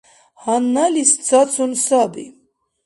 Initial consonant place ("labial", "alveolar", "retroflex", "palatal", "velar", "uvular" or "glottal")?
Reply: glottal